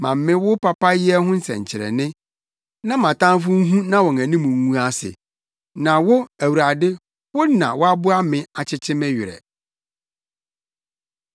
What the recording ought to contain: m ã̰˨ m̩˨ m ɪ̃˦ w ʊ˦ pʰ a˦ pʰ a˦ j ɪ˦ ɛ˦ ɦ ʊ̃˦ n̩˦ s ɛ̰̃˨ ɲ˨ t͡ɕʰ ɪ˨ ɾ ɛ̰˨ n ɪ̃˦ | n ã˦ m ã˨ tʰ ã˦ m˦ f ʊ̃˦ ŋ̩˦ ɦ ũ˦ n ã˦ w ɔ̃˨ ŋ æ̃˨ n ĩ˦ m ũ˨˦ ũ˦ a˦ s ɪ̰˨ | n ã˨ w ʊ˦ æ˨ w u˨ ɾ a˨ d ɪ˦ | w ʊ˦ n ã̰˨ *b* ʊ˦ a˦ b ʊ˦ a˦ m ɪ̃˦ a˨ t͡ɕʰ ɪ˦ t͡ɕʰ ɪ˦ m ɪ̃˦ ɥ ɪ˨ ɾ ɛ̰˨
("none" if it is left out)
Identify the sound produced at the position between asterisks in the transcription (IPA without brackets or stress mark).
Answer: w